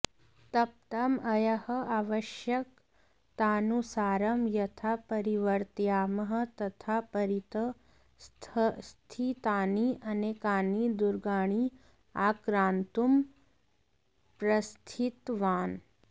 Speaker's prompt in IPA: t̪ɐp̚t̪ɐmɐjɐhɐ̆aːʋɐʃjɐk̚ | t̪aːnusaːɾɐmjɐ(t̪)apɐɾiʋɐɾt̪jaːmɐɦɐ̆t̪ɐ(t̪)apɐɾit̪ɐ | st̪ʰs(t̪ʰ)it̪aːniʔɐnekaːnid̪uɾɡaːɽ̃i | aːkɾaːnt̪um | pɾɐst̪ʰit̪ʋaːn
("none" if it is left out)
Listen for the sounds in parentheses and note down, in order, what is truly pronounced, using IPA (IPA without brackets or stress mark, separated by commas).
t̪ʰ, t̪ʰ, t̪ʰ